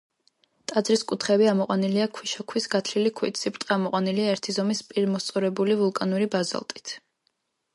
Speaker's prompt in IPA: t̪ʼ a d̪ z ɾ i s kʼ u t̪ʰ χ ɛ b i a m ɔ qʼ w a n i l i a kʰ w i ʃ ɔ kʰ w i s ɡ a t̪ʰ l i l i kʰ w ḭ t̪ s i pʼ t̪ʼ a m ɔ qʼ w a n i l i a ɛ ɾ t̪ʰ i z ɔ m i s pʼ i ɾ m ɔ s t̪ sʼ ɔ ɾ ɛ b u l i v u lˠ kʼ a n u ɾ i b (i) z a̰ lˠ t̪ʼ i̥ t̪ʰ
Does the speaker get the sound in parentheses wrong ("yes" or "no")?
yes